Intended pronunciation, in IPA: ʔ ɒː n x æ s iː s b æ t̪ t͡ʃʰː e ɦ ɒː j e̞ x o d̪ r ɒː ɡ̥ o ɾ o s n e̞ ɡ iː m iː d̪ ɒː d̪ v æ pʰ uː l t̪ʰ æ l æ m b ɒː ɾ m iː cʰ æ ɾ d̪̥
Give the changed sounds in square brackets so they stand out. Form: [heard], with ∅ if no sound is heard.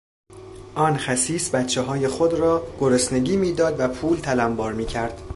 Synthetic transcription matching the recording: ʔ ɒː n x æ s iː s b æ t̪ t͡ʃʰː e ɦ ɒː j e̞ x o d̪ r ɒː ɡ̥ o ɾ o s n e̞ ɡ iː m iː d̪ ɒː d̪ v æ pʰ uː l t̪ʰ æ l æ m b ɒː ɾ m iː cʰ æ ɾ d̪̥